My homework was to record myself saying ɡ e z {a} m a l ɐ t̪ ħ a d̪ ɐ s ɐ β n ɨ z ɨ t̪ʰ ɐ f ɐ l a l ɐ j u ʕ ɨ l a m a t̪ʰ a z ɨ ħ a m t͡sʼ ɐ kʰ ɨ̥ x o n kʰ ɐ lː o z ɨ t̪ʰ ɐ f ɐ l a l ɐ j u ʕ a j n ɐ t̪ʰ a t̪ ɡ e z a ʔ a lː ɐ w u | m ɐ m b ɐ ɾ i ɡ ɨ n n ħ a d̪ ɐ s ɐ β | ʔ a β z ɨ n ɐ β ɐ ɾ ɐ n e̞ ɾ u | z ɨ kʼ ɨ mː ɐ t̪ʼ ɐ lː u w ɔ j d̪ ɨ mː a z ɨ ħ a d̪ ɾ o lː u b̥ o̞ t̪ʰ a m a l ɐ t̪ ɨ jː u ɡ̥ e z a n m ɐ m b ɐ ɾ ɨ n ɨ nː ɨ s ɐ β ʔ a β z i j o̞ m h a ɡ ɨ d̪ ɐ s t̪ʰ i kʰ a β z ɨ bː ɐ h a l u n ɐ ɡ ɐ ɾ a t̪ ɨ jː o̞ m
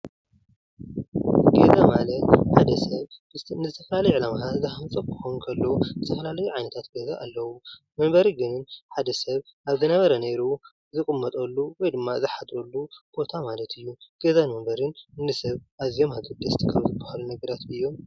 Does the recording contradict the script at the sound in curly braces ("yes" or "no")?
no